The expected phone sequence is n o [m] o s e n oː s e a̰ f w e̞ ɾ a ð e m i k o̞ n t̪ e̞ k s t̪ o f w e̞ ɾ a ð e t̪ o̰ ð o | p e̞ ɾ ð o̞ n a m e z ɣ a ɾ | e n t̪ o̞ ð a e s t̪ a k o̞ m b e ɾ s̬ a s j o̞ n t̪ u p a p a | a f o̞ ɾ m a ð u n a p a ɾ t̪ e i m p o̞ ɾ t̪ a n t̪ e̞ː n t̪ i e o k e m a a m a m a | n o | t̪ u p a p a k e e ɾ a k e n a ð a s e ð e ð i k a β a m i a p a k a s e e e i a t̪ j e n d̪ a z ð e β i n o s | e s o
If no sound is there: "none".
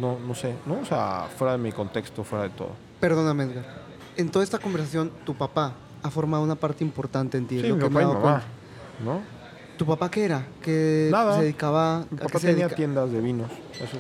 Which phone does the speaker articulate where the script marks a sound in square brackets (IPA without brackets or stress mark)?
n